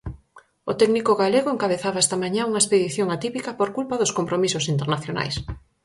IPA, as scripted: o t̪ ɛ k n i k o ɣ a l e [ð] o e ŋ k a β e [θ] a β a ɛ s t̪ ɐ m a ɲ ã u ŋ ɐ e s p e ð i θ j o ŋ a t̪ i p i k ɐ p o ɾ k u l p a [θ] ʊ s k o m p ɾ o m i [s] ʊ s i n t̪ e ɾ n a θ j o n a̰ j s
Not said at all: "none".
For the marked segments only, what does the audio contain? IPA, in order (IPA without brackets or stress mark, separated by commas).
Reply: ɣ, θ, ð, s